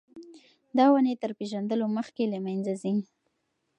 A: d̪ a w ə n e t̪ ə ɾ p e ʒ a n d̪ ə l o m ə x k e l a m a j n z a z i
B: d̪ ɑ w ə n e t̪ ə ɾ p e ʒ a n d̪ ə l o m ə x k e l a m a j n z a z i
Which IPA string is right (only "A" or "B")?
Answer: B